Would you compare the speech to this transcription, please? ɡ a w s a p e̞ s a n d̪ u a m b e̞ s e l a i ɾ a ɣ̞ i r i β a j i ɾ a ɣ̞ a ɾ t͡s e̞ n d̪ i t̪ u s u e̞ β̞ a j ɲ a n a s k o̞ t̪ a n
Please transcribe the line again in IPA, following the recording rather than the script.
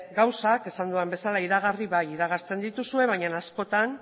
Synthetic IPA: ɡ a w s a k e̞ s a n d̪ u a m b e̞ s a l a i ɾ a ɣ̞ a r i β a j i ɾ a ɣ̞ a ɾ t͡s e̞ n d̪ i t̪ u s u e̞ β̞ a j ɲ a n a s k o̞ t̪ a n